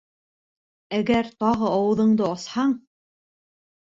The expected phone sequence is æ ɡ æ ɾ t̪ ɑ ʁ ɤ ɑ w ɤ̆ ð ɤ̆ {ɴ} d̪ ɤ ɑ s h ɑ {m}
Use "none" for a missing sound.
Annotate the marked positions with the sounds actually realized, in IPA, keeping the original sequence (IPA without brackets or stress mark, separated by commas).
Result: ɴ, ɴ